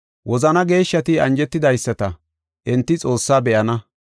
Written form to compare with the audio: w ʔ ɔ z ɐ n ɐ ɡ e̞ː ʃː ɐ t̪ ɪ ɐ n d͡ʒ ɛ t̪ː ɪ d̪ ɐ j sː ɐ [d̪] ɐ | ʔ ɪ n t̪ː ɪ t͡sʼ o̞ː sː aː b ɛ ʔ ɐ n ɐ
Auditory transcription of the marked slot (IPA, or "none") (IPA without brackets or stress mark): t̪